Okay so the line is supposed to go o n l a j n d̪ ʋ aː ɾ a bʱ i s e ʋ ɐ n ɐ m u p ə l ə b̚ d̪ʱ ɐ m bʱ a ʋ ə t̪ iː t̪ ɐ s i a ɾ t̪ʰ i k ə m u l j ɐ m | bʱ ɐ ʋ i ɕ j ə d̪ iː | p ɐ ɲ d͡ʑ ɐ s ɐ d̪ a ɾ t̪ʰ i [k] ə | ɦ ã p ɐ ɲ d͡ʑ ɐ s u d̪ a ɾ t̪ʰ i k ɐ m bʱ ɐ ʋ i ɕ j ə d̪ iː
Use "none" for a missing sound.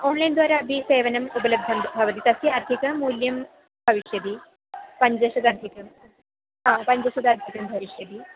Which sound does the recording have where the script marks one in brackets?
k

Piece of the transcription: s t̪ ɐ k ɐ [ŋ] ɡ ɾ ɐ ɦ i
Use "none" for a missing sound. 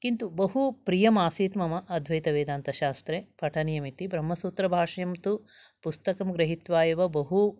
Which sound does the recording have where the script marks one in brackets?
m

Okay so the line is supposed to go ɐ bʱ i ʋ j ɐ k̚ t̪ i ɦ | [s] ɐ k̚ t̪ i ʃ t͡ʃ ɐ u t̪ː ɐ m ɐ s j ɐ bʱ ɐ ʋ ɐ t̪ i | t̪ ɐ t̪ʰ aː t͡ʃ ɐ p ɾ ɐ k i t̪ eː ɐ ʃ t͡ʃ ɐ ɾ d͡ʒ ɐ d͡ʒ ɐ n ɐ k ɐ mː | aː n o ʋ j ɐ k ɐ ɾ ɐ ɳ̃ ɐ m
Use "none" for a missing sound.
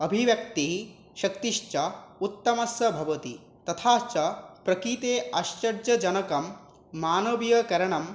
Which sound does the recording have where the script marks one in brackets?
ʃ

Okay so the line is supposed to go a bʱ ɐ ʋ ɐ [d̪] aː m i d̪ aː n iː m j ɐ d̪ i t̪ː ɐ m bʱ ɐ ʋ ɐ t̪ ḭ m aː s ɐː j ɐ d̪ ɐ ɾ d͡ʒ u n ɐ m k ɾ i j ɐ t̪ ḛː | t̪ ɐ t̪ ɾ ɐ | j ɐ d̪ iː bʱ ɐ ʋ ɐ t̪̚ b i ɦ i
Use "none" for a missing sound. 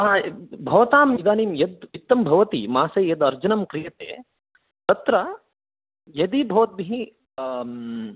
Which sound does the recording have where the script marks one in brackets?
t̪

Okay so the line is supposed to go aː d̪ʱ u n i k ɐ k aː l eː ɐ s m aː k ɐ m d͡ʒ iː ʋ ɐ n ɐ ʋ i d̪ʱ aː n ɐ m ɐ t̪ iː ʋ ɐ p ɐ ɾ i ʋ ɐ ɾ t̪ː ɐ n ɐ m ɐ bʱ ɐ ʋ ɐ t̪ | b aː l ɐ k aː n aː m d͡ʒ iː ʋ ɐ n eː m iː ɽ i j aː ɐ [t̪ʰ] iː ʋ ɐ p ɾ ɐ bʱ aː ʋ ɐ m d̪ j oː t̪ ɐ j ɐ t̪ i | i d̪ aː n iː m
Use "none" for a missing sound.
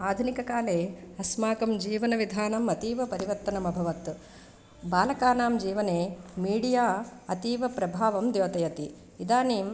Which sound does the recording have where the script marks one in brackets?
t̪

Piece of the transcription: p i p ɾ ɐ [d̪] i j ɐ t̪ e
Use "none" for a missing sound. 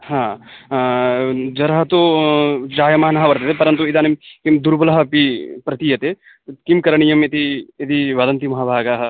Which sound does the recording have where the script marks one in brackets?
t̪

